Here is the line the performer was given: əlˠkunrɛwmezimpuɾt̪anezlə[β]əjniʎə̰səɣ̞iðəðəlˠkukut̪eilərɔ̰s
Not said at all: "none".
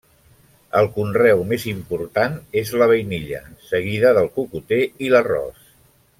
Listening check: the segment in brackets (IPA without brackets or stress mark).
β